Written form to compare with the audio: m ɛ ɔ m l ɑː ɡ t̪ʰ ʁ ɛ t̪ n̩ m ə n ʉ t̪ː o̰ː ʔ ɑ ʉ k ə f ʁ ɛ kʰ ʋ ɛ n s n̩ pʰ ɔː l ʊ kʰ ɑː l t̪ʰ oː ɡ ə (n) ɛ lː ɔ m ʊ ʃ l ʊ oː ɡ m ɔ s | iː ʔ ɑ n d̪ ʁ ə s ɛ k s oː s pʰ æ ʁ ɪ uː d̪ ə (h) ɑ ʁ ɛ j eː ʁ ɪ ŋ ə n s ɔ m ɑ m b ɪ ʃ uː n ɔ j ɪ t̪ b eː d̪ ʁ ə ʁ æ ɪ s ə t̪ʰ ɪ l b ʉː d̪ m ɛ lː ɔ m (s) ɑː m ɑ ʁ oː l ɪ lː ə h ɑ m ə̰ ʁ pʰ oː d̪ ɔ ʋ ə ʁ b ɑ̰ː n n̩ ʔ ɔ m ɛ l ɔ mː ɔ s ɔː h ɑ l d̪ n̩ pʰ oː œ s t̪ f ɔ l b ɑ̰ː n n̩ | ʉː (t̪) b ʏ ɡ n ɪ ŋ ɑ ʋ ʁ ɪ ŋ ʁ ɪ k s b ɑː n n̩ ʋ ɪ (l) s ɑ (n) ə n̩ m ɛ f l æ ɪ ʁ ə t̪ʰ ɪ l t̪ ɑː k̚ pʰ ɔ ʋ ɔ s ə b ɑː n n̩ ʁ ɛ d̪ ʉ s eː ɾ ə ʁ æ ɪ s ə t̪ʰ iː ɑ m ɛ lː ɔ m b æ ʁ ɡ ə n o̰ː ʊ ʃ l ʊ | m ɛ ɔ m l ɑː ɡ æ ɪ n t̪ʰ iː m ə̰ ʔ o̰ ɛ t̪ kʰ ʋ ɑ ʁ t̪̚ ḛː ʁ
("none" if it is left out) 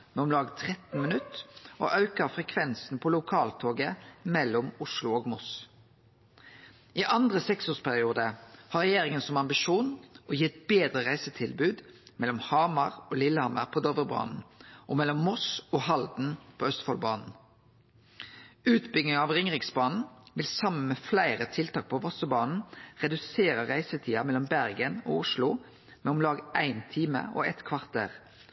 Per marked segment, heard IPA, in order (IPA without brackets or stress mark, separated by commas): m, h, h, t̪, l, m